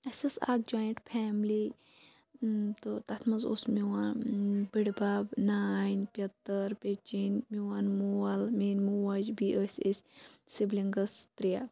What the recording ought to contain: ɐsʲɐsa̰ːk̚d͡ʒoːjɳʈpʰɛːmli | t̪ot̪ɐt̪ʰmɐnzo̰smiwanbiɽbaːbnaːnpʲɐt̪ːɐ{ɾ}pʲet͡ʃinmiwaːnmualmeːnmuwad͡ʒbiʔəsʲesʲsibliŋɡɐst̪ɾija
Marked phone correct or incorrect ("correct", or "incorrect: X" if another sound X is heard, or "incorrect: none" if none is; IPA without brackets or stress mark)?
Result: correct